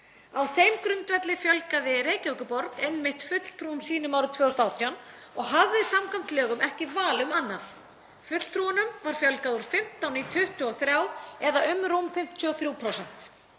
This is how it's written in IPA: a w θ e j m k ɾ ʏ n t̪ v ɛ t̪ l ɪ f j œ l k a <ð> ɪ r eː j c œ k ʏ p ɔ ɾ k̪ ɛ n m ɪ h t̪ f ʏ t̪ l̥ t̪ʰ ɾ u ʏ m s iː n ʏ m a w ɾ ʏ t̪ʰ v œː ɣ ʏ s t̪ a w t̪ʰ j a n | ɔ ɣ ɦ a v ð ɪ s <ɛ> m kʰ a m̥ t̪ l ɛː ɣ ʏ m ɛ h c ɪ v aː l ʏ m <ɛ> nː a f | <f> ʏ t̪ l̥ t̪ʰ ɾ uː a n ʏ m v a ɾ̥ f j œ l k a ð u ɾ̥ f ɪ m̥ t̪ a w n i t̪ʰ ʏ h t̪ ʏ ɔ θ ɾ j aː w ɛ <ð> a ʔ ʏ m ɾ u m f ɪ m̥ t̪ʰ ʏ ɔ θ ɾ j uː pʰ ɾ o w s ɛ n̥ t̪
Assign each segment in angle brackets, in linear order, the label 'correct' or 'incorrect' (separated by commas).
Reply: correct, incorrect, incorrect, correct, correct